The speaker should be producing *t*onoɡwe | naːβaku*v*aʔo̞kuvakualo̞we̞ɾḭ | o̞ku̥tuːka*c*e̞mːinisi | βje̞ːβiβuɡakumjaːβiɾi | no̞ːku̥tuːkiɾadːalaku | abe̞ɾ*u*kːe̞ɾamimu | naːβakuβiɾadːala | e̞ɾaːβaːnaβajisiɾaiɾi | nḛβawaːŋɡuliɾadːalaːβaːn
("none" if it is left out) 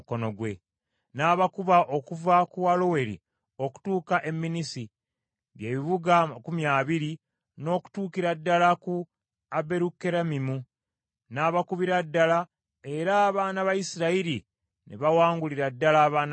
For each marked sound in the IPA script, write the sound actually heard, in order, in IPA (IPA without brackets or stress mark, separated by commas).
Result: k, β, ʔ, u